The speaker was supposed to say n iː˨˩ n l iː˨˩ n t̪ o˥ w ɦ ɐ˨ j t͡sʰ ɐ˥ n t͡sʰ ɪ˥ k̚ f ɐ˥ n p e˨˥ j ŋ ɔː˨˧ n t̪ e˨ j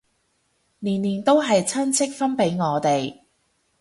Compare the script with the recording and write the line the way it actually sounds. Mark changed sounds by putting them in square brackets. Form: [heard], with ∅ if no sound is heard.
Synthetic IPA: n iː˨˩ n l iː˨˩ n t̪ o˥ w ɦ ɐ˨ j t͡sʰ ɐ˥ n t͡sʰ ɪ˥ k̚ f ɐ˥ n p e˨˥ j ŋ ɔː˨˧ [∅] t̪ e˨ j